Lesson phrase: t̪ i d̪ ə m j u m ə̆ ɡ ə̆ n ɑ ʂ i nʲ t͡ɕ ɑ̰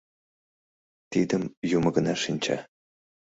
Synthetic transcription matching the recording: t̪ i d̪ ə m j u m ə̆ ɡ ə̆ n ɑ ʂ i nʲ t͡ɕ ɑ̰

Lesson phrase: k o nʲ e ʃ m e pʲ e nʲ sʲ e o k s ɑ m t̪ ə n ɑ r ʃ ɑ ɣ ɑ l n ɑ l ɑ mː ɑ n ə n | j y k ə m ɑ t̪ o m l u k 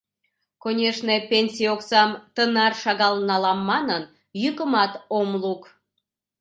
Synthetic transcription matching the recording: k o nʲ e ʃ n e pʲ e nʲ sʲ i o k s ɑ m t̪ ə n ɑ r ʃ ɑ ɣ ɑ l n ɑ l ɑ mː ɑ n ə n | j y k ə m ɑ t̪ o m l u k

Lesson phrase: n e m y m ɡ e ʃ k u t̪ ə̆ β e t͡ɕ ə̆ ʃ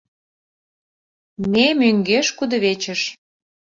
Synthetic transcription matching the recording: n e m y ŋ ɡ e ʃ k u d̪ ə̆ β e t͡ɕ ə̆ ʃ

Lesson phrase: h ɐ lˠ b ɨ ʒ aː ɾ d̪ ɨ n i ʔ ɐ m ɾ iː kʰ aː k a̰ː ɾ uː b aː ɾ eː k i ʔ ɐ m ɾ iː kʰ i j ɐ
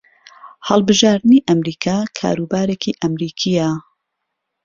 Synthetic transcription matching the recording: h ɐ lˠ b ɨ ʒ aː ɾ d̪ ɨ n i ʔ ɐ m ɾ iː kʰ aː kʰ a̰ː ɾ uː b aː ɾ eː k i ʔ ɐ m ɾ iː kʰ i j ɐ

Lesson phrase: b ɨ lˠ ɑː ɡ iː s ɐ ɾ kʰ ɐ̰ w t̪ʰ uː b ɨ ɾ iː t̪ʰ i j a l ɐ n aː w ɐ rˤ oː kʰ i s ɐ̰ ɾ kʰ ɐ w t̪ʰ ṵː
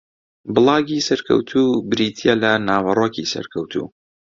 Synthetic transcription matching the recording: b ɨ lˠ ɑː ɡ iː s ɐ ɾ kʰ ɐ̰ w t̪ʰ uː b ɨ ɾ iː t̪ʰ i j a l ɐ n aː w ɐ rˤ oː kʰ i s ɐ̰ ɾ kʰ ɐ w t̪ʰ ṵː

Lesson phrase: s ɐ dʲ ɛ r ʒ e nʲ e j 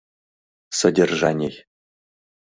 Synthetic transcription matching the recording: s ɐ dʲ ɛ r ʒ a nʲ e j

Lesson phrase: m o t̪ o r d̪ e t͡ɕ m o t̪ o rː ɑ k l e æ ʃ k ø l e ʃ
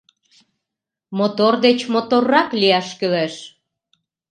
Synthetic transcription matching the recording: m o t̪ o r d̪ e t͡ɕ m o t̪ o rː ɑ k l i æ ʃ k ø l e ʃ

